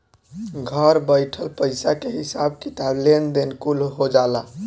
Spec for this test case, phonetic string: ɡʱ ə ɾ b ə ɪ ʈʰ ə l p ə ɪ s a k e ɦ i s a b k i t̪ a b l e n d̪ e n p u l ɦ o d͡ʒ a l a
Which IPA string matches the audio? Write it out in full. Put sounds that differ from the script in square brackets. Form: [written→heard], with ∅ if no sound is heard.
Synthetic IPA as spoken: ɡʱ ə ɾ b ə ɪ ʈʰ ə l p ə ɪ s a k e ɦ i s a b k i t̪ a b l e n d̪ e n [p→k] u l ɦ o d͡ʒ a l a